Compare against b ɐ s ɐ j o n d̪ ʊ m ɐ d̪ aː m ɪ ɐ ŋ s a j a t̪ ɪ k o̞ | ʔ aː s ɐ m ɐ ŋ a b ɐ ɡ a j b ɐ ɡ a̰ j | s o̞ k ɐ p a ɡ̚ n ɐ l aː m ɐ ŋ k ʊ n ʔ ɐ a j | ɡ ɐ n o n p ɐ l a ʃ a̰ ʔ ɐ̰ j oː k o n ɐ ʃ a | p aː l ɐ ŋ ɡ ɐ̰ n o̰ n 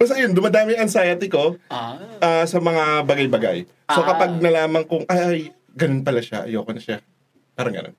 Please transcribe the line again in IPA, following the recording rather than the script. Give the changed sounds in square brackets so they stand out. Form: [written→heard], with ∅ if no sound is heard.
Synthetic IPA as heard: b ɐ s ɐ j o n d̪ ʊ m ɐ d̪ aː m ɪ ɐ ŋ s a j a t̪ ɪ k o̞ | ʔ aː s ɐ m ɐ ŋ a b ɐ ɡ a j b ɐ ɡ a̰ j | s o̞ k ɐ p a ɡ̚ n ɐ l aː m ɐ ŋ k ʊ [n→ŋ] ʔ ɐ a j | ɡ ɐ n o n p ɐ l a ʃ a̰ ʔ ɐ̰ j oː k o n ɐ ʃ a | p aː [l→ɾ] ɐ ŋ ɡ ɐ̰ n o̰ n